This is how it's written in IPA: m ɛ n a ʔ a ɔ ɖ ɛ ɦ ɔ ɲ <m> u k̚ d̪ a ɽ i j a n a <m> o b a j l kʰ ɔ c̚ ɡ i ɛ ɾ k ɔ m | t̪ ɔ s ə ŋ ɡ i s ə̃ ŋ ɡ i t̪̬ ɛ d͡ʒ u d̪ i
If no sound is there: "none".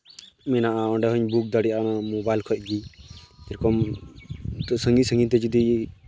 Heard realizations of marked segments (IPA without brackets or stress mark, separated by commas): b, m